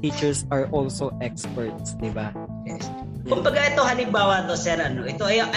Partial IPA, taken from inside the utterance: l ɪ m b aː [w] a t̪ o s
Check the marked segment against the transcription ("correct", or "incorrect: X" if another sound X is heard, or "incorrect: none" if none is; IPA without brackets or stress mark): correct